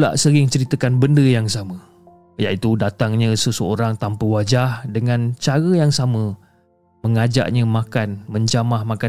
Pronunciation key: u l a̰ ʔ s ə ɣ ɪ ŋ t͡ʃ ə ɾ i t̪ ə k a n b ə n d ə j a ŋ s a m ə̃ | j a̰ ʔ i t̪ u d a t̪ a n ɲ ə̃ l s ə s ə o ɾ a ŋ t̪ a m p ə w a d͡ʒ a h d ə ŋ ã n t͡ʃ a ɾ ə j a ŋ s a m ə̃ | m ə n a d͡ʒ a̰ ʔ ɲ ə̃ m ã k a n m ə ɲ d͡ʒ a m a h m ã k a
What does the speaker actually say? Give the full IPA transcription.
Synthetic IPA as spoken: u l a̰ ʔ s ə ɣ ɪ ŋ t͡ʃ ə ɾ i t̪ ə k a n b ə n d ə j a ŋ s a m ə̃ | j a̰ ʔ i t̪ u d a t̪ a ŋ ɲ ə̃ s ə s ə o ɾ a ŋ t̪ a m p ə w a d͡ʒ a h d ə ŋ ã n t͡ʃ a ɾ ə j a ŋ s a m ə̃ | m ə ŋ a d͡ʒ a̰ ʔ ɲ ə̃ m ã k a n m ə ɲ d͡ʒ a m a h m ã k a